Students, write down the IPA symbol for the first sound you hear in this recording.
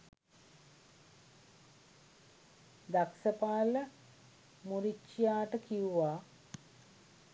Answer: d̪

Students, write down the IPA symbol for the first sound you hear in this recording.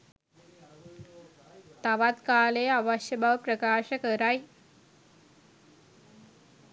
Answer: t̪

